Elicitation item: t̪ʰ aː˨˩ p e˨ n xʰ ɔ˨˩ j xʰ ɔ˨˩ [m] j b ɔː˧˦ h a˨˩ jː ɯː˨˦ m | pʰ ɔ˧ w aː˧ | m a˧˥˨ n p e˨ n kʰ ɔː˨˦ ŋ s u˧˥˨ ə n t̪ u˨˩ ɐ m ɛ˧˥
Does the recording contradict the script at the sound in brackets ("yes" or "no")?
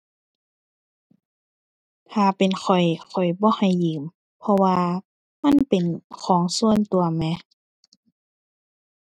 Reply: yes